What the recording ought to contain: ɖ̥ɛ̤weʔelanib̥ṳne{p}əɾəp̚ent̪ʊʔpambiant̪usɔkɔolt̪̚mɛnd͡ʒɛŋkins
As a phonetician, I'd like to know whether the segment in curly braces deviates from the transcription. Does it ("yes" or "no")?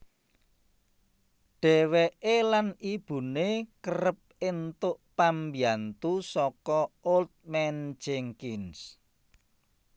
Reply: yes